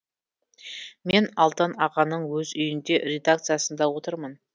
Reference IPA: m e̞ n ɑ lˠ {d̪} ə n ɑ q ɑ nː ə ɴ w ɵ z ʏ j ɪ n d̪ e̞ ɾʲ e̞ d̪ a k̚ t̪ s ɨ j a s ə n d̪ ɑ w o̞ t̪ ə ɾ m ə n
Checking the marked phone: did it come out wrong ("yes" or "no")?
yes